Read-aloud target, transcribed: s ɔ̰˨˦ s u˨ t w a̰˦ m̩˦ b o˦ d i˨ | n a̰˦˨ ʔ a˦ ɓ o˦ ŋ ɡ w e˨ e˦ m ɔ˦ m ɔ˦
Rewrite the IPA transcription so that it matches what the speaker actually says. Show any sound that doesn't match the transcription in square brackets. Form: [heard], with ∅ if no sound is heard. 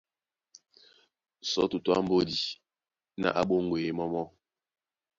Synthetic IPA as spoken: s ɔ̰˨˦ [t] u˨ t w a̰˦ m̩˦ b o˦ d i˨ | n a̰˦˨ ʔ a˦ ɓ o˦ ŋ ɡ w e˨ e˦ m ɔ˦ m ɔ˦